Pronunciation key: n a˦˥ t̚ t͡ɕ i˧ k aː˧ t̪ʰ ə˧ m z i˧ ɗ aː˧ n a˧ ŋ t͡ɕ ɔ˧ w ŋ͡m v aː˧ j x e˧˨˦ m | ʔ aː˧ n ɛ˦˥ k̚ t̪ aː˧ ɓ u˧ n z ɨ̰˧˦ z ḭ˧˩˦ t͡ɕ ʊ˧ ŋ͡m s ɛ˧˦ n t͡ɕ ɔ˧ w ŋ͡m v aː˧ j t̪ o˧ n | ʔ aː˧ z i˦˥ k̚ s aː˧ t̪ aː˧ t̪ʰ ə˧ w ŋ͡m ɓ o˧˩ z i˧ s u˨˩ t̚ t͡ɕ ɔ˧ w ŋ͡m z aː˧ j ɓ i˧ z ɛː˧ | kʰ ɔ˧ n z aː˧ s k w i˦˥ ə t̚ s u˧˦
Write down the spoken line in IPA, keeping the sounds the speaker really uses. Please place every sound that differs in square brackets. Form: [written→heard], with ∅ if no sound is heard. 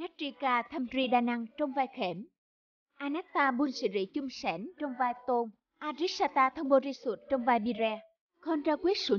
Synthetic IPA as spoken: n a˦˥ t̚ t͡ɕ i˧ k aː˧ t̪ʰ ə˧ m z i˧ ɗ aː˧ n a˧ ŋ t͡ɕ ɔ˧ w ŋ͡m v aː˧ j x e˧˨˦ m | ʔ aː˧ n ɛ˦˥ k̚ t̪ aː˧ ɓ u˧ n [z→s] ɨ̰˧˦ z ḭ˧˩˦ t͡ɕ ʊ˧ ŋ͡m s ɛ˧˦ n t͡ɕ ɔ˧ w ŋ͡m v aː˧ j t̪ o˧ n | ʔ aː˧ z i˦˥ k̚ s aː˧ t̪ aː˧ t̪ʰ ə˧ w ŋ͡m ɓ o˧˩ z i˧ s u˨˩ t̚ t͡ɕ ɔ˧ w ŋ͡m [z→v] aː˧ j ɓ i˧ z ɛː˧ | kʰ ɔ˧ n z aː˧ [s→∅] k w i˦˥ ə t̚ s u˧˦